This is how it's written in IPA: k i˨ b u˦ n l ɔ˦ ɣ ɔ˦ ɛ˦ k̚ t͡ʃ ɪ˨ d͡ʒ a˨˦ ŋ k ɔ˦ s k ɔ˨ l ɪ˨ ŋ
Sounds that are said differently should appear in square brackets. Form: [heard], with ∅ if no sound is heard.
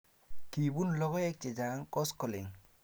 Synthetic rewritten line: k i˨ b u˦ n l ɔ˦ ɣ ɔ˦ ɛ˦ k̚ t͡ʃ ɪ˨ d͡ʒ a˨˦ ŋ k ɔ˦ s k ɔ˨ l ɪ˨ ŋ